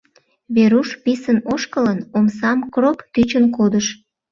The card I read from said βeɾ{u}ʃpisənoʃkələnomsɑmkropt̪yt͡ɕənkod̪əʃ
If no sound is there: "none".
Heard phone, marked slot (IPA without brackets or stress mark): u